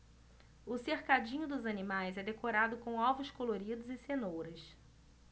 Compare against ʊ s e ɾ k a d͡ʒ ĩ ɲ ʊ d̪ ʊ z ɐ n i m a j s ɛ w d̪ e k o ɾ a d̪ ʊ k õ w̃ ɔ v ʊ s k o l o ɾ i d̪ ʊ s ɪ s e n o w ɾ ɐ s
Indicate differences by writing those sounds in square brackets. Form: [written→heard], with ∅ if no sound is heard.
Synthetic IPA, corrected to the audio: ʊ s e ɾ k a d͡ʒ ĩ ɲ ʊ d̪ ʊ z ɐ n i m a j [s→z] ɛ [w→∅] d̪ e k o ɾ a d̪ ʊ k õ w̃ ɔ v ʊ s k o l o ɾ i d̪ ʊ [s→z] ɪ s e n o w ɾ ɐ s